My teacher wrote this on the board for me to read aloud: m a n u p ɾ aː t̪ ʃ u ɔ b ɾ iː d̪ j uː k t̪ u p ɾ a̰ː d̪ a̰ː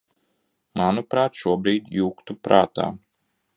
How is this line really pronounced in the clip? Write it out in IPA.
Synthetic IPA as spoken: m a n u p ɾ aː t̪ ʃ u ɔ b ɾ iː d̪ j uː k t̪ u p ɾ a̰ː t̪ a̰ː